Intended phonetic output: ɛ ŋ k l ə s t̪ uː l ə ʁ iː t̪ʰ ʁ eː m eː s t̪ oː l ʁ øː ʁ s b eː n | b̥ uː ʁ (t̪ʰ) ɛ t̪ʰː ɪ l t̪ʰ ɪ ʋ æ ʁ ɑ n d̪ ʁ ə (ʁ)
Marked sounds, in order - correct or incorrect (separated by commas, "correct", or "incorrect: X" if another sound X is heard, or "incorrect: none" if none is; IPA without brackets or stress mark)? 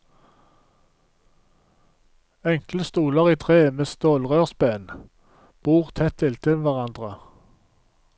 correct, incorrect: none